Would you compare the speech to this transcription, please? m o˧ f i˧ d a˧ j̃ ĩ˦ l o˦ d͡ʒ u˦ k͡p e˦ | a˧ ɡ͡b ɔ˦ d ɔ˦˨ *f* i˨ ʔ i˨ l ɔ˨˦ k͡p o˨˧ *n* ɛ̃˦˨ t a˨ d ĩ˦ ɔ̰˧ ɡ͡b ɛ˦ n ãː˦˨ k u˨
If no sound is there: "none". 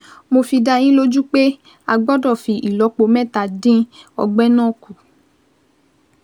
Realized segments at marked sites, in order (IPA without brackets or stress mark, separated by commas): f, m